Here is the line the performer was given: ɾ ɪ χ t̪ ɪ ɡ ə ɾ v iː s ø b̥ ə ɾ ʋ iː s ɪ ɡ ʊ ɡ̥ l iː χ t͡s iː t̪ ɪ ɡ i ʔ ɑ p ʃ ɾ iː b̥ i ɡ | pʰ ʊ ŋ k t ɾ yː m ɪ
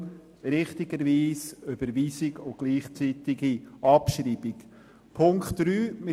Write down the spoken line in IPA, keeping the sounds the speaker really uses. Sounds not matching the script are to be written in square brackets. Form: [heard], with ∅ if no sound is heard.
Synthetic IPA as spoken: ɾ ɪ χ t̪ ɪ ɡ ə ɾ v iː s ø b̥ ə ɾ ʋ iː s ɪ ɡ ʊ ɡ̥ l iː χ t͡s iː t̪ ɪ ɡ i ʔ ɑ p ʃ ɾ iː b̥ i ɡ | pʰ ʊ ŋ k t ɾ yː m ɪ

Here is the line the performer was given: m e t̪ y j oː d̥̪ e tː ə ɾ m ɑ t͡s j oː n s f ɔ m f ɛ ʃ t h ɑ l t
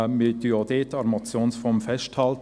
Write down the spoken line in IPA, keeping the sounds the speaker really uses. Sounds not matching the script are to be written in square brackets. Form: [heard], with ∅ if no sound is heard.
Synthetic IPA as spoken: m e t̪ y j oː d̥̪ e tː [ɑ] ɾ m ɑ t͡s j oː n s f ɔ m f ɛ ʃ t h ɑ l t

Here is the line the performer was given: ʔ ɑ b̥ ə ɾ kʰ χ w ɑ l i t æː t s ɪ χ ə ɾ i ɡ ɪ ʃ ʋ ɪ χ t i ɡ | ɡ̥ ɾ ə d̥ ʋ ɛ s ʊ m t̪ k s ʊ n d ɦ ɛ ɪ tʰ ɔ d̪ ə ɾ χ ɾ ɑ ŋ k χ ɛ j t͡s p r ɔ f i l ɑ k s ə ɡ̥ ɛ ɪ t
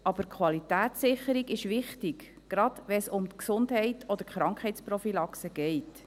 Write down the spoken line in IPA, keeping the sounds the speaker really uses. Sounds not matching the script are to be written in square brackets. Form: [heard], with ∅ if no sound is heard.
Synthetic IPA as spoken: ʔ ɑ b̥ ə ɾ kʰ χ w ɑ l i t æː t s ɪ χ ə ɾ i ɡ ɪ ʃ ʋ ɪ χ t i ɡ | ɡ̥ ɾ [ɑ] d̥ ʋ ɛ s ʊ m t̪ k s ʊ n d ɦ ɛ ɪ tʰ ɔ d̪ ə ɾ χ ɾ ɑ ŋ k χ ɛ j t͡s p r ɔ f i l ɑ k s ə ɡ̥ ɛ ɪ t

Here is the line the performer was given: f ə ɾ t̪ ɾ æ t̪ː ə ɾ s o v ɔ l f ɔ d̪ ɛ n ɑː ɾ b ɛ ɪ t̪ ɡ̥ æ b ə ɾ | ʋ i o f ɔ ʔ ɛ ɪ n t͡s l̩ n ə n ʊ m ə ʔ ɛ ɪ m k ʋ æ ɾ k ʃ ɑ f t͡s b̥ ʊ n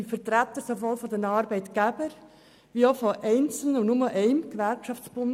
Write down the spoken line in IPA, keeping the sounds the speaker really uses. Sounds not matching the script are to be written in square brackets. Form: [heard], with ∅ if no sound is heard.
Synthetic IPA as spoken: f ə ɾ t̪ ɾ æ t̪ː ə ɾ s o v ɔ l f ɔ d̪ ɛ n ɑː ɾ b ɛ ɪ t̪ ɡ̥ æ b ə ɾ | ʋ i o f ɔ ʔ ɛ ɪ n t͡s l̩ n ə n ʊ m ə ʔ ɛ ɪ m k ʋ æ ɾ k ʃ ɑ f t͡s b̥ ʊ n

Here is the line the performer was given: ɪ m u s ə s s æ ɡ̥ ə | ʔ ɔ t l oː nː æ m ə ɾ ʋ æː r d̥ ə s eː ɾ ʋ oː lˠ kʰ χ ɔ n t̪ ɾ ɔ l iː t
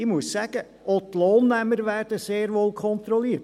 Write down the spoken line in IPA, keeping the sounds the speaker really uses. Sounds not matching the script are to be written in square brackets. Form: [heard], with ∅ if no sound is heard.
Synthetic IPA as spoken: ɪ m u [∅] ə s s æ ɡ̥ ə | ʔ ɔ t l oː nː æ m ə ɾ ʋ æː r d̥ ə s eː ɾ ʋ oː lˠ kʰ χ ɔ n t̪ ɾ ɔ l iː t

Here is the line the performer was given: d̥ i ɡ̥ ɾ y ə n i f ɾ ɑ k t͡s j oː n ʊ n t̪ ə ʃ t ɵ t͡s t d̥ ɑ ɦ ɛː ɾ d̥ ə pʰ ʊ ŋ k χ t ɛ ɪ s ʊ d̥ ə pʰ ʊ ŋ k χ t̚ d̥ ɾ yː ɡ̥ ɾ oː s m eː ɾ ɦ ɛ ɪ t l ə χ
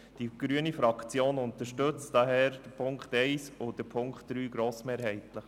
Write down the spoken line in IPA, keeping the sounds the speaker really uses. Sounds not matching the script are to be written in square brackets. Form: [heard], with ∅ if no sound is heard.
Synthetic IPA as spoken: d̥ i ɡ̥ ɾ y ə n i f ɾ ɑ k t͡s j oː n ʊ n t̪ ə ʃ t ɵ t͡s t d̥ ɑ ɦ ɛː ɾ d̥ ə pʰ ʊ ŋ k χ t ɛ ɪ s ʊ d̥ ə pʰ ʊ ŋ k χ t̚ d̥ ɾ yː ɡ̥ ɾ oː s m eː ɾ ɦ ɛ ɪ t l ə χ

